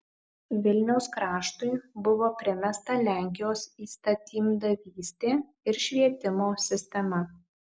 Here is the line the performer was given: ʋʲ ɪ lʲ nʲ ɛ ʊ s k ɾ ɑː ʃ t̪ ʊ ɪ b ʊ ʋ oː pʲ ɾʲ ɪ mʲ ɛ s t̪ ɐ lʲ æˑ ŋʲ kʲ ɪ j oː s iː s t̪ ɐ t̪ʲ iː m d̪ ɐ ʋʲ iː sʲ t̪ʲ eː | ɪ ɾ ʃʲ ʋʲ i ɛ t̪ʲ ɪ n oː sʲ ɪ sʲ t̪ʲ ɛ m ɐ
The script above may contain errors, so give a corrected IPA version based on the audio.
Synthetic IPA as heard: ʋʲ ɪ lʲ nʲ ɛ ʊ s k ɾ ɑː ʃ t̪ ʊ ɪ b ʊ ʋ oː pʲ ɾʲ ɪ mʲ ɛ s t̪ ɐ lʲ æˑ ŋʲ kʲ ɪ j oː s iː s t̪ ɐ t̪ʲ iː m d̪ ɐ ʋʲ iː sʲ t̪ʲ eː | ɪ ɾ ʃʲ ʋʲ i ɛ t̪ʲ ɪ m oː sʲ ɪ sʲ t̪ʲ ɛ m ɐ